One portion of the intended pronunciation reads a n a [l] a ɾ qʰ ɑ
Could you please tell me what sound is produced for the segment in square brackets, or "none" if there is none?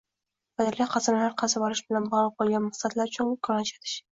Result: l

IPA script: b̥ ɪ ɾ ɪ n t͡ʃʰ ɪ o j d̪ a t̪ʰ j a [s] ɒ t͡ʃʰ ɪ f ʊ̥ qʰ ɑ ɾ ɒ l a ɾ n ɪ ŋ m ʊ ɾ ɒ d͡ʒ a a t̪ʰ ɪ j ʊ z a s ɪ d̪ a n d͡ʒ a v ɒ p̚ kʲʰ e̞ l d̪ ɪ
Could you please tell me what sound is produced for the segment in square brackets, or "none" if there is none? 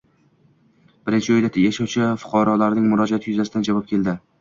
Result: ʃ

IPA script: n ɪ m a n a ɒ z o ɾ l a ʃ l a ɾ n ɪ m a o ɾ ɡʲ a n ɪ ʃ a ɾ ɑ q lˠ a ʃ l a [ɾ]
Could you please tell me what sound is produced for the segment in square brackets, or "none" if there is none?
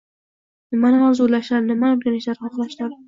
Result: ɾ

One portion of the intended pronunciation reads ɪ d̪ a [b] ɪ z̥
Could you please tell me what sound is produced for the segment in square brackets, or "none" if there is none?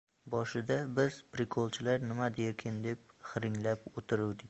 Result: b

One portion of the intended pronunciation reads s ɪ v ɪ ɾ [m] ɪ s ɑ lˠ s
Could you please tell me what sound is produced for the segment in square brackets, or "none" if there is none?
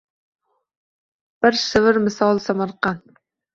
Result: m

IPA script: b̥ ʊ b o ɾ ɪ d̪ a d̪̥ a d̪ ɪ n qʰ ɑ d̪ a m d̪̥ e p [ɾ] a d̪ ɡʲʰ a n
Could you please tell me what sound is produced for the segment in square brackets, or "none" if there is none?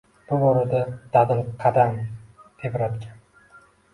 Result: ɾ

